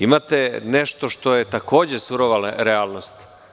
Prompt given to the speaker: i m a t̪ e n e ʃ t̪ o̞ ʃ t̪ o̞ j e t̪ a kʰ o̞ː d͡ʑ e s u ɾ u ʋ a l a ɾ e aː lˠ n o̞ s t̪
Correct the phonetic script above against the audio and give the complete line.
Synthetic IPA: i m a t̪ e n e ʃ t̪ o̞ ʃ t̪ o̞ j e t̪ a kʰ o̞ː d͡ʑ e s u ɾ o ʋ a l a ɾ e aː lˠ n o̞ s t̪

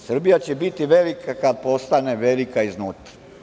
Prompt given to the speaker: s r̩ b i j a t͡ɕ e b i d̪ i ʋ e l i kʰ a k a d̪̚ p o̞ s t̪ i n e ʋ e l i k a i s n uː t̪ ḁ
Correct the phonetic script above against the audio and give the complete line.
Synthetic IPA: s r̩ b i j a t͡ɕ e b i t̪ i ʋ e l i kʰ a k a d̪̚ p o̞ s t̪ a n e ʋ e l i k a i z n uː t̪ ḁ

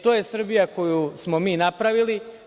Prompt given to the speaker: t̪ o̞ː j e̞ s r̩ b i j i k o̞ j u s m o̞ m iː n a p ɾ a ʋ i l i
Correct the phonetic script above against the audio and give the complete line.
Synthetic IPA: t̪ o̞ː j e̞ s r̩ b i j a k o̞ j u s m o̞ m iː n a p ɾ a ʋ i l i

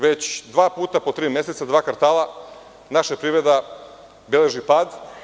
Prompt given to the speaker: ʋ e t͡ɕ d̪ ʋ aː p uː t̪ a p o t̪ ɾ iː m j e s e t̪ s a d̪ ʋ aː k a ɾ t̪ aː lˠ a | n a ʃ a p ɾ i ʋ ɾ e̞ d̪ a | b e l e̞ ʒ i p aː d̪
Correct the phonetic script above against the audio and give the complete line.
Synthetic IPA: ʋ e t͡ɕ d̪ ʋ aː p uː t̪ a p o t̪ ɾ iː m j e s e t̪ s a d̪ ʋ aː k a ɾ t̪ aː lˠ a | n a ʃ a p ɾ i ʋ ɾ e̞ d̪ a | b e l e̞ ʒ i p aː d̪

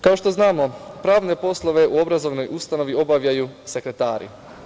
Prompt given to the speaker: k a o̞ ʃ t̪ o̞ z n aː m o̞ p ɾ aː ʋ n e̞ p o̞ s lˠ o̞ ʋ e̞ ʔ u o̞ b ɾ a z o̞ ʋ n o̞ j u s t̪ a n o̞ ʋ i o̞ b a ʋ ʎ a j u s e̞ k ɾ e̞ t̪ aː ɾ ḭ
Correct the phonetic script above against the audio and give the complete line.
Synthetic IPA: k a o̞ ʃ t̪ o̞ z n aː m o̞ p ɾ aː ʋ n e̞ p o̞ s lˠ o̞ ʋ e̞ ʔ u o̞ b ɾ a z o̞ ʋ n o̞ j u s t̪ a n o̞ ʋ i o̞ b a ʋ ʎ a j u s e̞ k ɾ e̞ t̪ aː ɾ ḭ

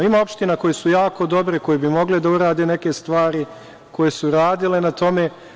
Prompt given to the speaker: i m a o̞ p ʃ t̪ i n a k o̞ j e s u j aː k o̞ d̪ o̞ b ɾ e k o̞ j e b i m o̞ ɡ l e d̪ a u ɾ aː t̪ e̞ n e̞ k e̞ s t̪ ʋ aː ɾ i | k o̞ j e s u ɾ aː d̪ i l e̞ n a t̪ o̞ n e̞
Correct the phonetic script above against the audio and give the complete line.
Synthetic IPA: i m a o̞ p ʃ t̪ i n a k o̞ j e s u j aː k o̞ d̪ o̞ b ɾ e k o̞ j e b i m o̞ ɡ l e d̪ a u ɾ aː d̪ e̞ n e̞ k e̞ s t̪ ʋ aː ɾ i | k o̞ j e s u ɾ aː d̪ i l e̞ n a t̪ o̞ m e̞

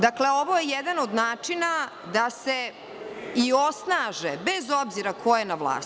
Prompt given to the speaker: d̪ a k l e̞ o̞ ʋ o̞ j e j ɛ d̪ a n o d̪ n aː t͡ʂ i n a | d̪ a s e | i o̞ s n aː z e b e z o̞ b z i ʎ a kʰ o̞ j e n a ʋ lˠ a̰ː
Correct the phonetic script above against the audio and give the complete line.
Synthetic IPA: d̪ a k l e̞ o̞ ʋ o̞ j e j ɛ d̪ a n o d̪ n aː t͡ʂ i n a | d̪ a s e | i o̞ s n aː ʒ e b e z o̞ b z i ɾ a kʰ o̞ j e n a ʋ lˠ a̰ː

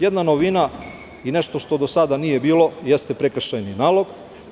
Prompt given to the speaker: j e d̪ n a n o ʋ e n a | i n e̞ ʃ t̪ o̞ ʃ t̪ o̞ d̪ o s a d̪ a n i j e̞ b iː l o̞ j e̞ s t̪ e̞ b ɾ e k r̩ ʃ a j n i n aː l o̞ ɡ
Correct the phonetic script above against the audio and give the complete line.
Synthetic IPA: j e d̪ n a n o ʋ i n a | i n e̞ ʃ t̪ o̞ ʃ t̪ o̞ d̪ o s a d̪ a n i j e̞ b iː l o̞ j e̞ s t̪ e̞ p ɾ e k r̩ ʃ a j n i n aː l o̞ ɡ

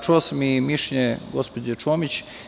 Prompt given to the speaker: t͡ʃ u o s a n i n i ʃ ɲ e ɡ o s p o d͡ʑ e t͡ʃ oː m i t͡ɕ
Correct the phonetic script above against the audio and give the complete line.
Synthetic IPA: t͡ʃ u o s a m i m i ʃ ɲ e ɡ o s p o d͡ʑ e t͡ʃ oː m i t͡ɕ

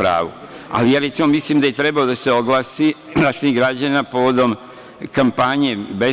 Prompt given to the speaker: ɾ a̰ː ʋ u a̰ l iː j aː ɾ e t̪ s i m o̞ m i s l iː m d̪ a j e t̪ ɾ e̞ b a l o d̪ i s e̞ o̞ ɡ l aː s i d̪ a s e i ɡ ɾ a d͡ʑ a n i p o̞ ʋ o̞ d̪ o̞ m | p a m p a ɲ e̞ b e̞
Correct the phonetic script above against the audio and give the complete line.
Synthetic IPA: ɾ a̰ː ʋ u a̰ l i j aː ɾ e t̪ s i m o̞ m i s l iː m d̪ a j e t̪ ɾ e̞ b a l o d̪ a s e̞ o̞ ɡ l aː s i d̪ a s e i ɡ ɾ a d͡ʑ a n a p o̞ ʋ o̞ d̪ o̞ m | k a m p a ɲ e̞ b e̞

